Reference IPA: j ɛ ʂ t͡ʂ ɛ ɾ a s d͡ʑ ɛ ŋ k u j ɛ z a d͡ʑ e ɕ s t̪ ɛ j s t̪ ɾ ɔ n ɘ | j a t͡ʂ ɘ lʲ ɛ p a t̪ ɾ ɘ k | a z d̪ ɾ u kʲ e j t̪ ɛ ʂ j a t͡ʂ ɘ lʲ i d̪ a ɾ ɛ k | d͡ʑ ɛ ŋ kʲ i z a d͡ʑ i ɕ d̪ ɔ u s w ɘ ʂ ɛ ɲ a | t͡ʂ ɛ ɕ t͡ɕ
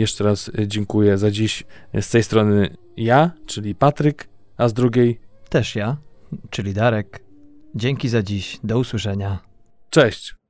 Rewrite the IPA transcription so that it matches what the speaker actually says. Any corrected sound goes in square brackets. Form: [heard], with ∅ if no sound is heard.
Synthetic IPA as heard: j ɛ ʂ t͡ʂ ɛ ɾ a s d͡ʑ ɛ ŋ k u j ɛ z a d͡ʑ [i] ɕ s t̪ ɛ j s t̪ ɾ ɔ n ɘ | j a t͡ʂ ɘ lʲ [i] p a t̪ ɾ ɘ k | a z d̪ ɾ u [ɡʲ] e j t̪ ɛ ʂ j a t͡ʂ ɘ lʲ i d̪ a ɾ ɛ k | d͡ʑ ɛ ŋ kʲ i z a d͡ʑ i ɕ d̪ ɔ u s w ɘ ʂ ɛ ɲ a | t͡ʂ ɛ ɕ t͡ɕ